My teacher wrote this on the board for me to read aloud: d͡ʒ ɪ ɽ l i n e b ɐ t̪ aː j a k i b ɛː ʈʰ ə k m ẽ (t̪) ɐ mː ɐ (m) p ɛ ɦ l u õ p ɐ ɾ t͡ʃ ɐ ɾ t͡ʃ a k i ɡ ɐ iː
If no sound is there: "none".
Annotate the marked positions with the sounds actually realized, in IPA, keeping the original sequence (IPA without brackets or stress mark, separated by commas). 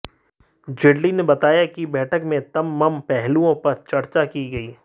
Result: t̪, m